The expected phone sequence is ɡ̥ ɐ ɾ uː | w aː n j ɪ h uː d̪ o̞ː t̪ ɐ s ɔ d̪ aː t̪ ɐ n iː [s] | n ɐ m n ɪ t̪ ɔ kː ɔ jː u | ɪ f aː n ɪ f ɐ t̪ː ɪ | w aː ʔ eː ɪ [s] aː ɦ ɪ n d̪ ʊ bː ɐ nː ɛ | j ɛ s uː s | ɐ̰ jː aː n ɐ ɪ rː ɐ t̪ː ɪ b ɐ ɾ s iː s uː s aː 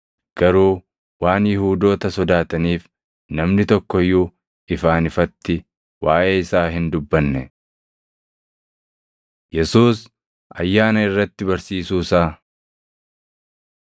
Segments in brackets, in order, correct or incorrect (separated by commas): incorrect, correct